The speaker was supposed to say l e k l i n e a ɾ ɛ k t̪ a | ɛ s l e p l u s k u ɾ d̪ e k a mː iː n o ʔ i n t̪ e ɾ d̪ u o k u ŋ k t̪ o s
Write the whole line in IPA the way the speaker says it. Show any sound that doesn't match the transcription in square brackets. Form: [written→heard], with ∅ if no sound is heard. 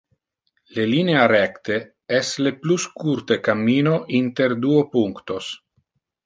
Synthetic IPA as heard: l e [k→∅] l i n e a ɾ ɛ k t̪ [a→e] | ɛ s l e p l u s k u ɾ [d̪→t̪] e k a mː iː n o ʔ i n t̪ e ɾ d̪ u o [k→p] u ŋ k t̪ o s